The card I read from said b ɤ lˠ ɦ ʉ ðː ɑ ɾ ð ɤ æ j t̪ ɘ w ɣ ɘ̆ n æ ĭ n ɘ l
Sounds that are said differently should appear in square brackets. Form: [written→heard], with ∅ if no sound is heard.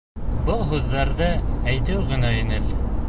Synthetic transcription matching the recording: b ɤ lˠ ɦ ʉ ðː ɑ ɾ ð ɤ æ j t̪ ɘ w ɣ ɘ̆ n æ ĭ n ɘ l